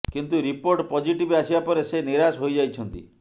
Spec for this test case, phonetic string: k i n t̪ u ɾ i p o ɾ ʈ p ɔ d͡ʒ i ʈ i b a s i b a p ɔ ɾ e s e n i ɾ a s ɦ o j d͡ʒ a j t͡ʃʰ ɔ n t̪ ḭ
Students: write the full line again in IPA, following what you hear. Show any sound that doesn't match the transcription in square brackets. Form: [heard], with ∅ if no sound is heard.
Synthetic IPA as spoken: k i n t̪ u ɾ i p o ɾ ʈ p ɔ d͡ʒ i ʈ i b a s i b a p ɔ ɾ e s e n i ɾ a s ɦ o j d͡ʒ a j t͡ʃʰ ɔ n t̪ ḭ